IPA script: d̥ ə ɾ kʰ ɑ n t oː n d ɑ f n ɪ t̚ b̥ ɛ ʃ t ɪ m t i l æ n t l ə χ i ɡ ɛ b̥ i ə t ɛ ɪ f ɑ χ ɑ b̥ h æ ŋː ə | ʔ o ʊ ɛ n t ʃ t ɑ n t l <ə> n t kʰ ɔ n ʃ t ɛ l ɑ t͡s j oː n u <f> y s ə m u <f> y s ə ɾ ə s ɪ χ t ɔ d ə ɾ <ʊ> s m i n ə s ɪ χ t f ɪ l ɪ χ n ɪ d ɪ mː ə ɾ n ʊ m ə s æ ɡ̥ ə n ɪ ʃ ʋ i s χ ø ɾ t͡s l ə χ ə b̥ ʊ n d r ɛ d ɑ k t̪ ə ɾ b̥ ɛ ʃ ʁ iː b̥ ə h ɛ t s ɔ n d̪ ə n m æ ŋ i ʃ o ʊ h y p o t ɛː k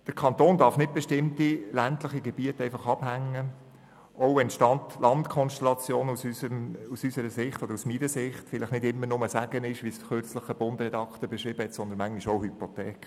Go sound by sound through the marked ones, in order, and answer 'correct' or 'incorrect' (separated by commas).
incorrect, incorrect, incorrect, incorrect